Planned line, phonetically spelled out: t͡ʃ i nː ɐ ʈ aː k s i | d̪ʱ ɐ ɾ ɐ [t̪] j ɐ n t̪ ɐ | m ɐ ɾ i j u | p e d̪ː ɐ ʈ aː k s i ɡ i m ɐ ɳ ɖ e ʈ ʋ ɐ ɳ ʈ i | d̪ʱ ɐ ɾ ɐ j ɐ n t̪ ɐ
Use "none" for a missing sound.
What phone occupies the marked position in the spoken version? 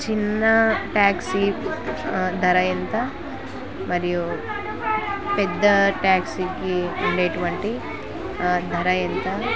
none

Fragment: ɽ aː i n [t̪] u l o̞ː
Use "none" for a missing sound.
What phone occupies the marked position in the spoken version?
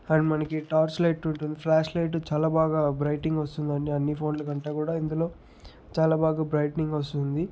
d̪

